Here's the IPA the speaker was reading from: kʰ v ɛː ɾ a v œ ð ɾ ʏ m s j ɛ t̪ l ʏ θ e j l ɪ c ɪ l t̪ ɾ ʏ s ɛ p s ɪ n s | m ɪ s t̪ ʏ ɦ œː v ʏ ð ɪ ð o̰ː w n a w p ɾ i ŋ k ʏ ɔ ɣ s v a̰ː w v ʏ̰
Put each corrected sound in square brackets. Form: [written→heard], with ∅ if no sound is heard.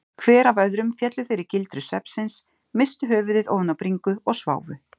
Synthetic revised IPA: kʰ v ɛː ɾ a v œ ð ɾ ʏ m [s→f] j ɛ t̪ l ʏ θ e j [l→ɾ] ɪ c ɪ l t̪ ɾ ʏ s ɛ p s ɪ n s | m ɪ s t̪ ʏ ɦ œː v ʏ ð ɪ ð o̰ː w n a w p ɾ i ŋ k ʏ ɔ ɣ s v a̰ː w v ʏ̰